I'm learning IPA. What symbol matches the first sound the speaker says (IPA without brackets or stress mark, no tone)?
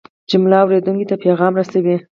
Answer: d͡ʒ